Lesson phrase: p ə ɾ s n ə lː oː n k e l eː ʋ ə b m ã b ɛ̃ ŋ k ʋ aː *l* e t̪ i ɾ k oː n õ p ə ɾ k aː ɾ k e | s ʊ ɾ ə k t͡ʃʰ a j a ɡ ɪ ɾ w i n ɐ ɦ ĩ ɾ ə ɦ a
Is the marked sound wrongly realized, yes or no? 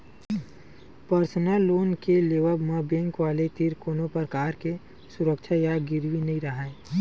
no